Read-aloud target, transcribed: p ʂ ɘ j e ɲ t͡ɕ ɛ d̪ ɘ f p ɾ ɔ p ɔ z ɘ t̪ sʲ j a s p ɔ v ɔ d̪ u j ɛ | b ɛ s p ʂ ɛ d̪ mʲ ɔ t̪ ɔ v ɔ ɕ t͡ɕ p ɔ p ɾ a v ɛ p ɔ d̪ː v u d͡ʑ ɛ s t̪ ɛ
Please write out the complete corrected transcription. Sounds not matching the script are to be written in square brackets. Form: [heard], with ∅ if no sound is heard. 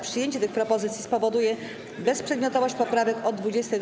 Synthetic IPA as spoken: p ʂ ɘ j e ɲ t͡ɕ ɛ [t̪] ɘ [x] p ɾ ɔ p ɔ z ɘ t̪ sʲ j [i] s p ɔ v ɔ d̪ u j ɛ | b ɛ s p ʂ ɛ d̪ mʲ ɔ t̪ ɔ v ɔ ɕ t͡ɕ p ɔ p ɾ a v ɛ [k] ɔ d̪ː v u d͡ʑ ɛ s t̪ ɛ